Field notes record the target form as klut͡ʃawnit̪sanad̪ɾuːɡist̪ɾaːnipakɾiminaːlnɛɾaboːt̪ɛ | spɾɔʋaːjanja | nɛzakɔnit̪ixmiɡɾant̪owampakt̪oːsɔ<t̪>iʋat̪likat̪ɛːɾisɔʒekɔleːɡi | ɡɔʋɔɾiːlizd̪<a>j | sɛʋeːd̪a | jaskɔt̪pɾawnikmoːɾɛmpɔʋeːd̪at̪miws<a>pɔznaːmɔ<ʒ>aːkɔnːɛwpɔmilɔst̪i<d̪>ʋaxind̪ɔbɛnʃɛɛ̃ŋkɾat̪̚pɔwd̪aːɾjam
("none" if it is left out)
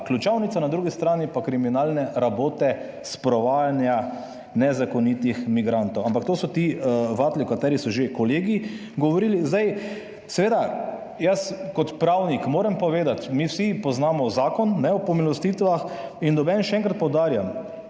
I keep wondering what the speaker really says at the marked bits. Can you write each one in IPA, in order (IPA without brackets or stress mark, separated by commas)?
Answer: t̪, a, i, z, t̪